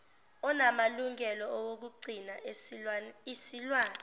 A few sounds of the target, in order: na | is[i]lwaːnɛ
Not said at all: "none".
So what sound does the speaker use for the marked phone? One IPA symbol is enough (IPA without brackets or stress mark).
i